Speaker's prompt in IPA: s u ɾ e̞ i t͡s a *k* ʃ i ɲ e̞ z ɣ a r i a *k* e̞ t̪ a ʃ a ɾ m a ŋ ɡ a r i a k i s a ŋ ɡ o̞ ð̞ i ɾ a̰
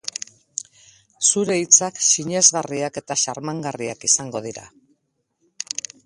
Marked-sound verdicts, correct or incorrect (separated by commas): correct, correct